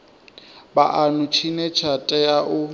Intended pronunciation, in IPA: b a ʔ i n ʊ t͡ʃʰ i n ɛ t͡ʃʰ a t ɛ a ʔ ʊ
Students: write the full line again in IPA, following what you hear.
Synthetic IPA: b a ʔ a n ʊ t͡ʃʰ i n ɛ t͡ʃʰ a tʼ ɛ a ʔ ʊ